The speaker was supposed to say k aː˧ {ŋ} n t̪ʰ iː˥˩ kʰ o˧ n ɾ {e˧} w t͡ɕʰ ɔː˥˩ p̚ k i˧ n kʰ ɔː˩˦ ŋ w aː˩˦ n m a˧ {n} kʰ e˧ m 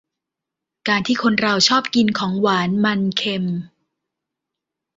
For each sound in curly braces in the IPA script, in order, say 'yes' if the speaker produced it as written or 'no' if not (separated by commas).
no, no, yes